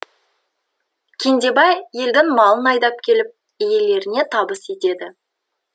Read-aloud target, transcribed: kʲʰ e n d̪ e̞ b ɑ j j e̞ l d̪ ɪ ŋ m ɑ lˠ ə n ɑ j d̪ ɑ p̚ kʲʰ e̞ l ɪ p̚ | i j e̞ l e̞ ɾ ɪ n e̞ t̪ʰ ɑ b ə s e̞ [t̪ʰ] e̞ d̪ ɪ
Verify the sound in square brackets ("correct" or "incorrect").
incorrect